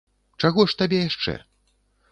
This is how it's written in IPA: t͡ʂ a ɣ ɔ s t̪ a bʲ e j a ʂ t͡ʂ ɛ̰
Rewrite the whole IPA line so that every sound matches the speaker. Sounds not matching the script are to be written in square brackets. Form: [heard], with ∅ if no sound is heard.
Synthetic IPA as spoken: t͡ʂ a ɣ ɔ [ʂ] t̪ a bʲ [ɛ] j a ʂ t͡ʂ ɛ̰